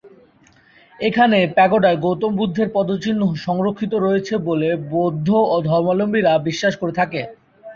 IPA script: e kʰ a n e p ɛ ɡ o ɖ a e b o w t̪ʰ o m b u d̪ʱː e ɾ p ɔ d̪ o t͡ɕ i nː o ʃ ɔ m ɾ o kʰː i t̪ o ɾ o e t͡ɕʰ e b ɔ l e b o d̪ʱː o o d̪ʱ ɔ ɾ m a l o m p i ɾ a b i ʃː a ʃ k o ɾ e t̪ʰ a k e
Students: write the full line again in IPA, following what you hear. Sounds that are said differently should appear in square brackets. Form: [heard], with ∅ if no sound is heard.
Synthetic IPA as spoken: e kʰ a n e p ɛ ɡ o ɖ a e [ɡ] o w [t̪] o m b u d̪ʱː e ɾ p ɔ d̪ o t͡ɕ i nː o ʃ ɔ [ŋ] ɾ o kʰː i t̪ o ɾ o e t͡ɕʰ e b [o] l e b o d̪ʱː o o d̪ʱ ɔ ɾ m a l o m [b] i ɾ a b i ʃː a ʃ k o ɾ e t̪ʰ a k e